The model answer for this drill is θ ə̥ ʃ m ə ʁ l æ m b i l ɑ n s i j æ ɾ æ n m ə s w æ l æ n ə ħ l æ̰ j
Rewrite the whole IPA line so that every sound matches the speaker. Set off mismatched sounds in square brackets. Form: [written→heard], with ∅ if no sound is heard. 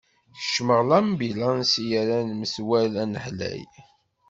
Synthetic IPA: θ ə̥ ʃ m ə ʁ l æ m b i l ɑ n s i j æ ɾ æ n m ə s w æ l æ n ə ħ l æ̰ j